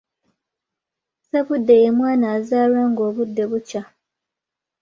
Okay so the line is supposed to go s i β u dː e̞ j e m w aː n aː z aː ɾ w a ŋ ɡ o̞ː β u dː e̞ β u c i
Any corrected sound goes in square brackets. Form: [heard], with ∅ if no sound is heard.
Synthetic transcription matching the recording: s [e] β u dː e̞ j e m w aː n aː z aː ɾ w a ŋ ɡ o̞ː β u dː e̞ β u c [a]